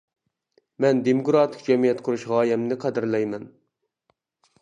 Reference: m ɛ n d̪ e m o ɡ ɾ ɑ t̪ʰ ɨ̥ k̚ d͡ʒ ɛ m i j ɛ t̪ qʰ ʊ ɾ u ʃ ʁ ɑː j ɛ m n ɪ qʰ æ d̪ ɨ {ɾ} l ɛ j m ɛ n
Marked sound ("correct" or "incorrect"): correct